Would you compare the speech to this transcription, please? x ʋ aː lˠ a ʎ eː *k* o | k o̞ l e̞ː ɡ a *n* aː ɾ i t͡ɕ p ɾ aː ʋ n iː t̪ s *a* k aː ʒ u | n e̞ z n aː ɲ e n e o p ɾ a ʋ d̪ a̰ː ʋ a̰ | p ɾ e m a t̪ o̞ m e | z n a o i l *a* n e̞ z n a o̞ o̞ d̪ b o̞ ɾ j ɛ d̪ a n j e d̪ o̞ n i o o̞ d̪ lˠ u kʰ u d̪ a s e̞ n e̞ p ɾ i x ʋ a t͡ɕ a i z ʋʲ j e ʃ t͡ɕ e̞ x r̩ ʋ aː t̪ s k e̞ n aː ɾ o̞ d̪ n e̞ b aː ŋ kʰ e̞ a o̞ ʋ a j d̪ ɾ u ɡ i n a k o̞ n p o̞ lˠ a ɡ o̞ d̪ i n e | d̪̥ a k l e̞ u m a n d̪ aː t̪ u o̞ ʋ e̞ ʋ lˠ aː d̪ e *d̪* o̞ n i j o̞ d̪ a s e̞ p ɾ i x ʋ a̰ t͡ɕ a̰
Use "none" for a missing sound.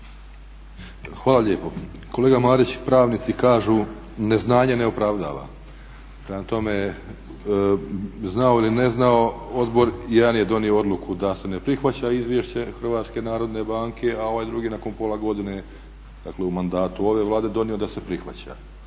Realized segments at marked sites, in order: p, m, i, i, d̪

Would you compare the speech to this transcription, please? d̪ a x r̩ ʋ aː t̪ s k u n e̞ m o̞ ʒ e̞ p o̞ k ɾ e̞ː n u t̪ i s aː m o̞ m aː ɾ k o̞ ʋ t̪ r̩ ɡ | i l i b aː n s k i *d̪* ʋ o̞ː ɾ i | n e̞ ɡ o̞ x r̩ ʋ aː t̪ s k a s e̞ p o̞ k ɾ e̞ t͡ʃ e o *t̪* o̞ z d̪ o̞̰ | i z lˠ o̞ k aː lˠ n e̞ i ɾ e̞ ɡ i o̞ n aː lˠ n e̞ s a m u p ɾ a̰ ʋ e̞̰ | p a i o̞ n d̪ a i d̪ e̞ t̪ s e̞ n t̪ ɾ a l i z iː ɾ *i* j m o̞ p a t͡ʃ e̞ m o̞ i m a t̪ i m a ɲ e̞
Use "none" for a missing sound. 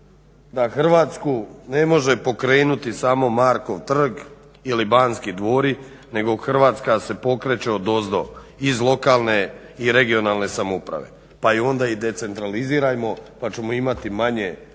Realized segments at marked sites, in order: d̪, d̪, a

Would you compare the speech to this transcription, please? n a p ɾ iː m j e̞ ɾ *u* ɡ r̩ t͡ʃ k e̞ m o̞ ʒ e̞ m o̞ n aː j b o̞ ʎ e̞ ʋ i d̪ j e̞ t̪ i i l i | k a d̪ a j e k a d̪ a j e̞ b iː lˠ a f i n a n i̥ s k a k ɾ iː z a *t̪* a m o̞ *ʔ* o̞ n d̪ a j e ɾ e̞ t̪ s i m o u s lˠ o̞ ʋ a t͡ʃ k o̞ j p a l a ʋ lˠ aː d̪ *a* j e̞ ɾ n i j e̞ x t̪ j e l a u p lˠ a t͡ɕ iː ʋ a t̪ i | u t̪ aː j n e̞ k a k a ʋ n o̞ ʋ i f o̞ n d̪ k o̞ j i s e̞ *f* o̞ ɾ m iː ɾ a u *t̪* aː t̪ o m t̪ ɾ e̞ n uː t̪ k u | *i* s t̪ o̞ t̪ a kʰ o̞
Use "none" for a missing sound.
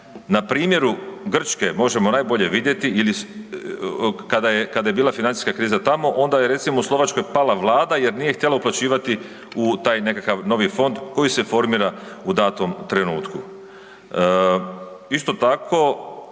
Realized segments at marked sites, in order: u, t̪, ʔ, a, f, d̪, i

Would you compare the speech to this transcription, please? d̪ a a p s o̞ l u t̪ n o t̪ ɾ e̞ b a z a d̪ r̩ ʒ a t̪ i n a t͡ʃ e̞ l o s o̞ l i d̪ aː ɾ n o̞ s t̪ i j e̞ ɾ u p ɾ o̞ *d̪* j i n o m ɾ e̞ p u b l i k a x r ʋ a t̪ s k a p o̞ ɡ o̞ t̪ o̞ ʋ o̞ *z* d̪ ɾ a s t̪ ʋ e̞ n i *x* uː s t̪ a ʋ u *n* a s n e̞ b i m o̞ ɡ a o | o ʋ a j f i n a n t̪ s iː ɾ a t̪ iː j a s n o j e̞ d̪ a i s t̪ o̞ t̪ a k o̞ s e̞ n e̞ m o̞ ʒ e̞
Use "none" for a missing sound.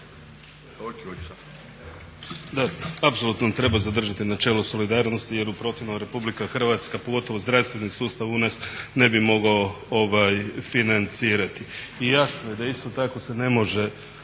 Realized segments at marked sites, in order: t̪, z, s, n

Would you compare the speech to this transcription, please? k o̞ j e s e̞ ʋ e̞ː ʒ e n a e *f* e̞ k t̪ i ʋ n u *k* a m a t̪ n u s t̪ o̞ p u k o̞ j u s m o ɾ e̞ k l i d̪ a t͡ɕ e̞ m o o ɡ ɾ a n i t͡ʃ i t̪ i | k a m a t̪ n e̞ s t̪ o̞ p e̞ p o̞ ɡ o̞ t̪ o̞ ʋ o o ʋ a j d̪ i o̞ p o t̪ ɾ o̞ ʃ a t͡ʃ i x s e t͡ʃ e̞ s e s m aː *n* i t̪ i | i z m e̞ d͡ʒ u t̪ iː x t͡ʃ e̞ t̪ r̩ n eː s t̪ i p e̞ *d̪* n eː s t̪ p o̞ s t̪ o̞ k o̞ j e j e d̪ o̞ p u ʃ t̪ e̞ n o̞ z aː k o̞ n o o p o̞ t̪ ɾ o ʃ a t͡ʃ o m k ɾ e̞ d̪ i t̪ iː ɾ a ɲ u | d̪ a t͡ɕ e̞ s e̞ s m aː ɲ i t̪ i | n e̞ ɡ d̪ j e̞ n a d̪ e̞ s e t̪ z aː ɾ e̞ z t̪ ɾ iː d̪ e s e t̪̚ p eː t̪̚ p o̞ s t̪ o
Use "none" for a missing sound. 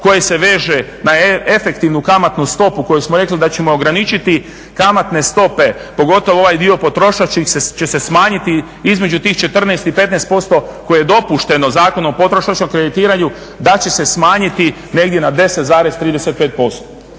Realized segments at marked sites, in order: f, k, ɲ, t̪

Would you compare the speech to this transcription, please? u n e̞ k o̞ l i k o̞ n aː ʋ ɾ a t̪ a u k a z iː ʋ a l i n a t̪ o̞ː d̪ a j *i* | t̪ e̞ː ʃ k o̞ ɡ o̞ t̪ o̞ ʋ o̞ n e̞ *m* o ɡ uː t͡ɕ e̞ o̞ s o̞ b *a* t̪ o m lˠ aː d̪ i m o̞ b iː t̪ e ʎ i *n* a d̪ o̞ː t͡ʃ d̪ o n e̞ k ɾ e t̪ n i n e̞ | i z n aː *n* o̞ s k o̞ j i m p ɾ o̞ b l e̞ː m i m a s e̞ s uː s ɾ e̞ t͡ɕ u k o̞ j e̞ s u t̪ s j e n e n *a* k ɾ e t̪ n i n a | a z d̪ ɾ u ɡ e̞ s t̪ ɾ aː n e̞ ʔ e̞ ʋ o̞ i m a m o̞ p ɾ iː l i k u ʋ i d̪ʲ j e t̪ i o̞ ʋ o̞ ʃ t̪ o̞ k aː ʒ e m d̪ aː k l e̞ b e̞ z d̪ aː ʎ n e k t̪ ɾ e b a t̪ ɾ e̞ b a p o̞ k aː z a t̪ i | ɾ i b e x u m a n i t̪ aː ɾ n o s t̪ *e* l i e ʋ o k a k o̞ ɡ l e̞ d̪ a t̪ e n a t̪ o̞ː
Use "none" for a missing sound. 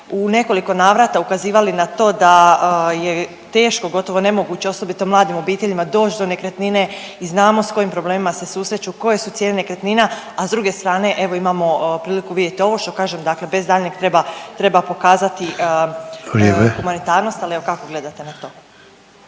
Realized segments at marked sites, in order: e, m, i, m, m, e, a

